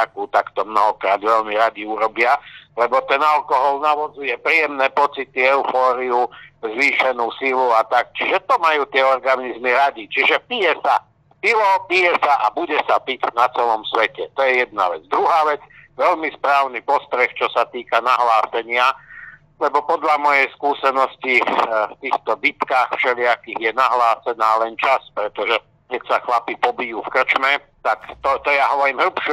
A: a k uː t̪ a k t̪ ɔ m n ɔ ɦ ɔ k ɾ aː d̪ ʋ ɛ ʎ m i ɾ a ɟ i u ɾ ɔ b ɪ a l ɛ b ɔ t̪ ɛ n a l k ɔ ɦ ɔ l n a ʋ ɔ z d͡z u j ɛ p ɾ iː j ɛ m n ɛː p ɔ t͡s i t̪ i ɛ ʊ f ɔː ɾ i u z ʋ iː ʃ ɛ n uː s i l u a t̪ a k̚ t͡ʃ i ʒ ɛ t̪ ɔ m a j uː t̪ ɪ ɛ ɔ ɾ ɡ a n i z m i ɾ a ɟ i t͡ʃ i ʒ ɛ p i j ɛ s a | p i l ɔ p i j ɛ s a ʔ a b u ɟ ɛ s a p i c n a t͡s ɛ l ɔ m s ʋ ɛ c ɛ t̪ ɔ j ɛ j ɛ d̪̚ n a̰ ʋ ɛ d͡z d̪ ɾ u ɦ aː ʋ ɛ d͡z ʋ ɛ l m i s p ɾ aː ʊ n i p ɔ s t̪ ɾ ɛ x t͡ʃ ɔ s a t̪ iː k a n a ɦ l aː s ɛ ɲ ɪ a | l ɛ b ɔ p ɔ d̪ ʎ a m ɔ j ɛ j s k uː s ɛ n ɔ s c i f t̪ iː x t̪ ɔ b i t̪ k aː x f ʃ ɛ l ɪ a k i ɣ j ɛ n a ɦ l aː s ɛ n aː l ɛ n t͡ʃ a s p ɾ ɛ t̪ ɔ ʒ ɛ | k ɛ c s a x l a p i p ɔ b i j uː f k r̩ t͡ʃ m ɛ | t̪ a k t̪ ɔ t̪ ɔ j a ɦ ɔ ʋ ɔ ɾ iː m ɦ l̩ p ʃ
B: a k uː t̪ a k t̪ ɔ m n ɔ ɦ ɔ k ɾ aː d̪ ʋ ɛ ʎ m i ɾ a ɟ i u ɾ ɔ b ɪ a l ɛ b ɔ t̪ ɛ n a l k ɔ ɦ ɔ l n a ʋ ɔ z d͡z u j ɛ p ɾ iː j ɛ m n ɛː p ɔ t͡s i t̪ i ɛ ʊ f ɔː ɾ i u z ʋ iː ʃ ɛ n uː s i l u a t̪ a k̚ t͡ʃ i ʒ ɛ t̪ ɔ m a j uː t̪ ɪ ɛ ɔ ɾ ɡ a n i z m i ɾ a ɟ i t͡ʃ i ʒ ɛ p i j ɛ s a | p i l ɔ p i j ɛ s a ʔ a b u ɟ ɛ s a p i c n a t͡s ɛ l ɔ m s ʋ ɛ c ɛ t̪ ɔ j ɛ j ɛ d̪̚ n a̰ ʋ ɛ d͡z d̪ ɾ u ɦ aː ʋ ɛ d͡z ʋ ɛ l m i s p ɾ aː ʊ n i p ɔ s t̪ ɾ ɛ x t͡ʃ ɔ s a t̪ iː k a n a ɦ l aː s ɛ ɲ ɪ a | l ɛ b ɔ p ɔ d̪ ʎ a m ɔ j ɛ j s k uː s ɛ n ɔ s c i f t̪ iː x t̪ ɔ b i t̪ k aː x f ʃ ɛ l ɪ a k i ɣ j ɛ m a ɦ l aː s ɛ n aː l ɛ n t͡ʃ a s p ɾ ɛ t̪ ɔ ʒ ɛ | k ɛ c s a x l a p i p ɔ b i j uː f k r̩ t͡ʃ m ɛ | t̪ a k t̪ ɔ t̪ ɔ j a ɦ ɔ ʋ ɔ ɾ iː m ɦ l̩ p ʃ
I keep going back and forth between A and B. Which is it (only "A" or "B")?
A